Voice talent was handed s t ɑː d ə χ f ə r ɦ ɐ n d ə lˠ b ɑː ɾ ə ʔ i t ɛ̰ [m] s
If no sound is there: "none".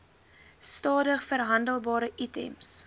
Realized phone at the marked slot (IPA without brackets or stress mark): m